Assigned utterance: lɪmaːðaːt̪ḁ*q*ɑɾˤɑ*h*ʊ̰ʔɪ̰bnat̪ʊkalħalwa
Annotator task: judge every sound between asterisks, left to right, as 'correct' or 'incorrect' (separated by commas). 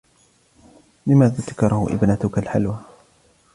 incorrect, correct